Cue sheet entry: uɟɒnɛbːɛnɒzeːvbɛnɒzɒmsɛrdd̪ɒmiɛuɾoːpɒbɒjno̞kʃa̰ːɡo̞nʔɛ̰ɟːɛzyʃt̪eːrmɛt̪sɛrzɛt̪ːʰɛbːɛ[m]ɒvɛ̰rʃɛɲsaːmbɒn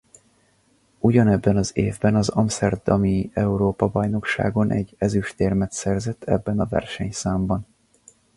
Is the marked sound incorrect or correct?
incorrect